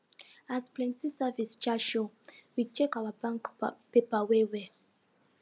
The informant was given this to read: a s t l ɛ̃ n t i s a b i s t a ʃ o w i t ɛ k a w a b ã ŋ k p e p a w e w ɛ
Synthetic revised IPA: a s p l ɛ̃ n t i s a v i s t͡ʃ a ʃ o w i t͡ʃ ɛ k a w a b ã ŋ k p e p a w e w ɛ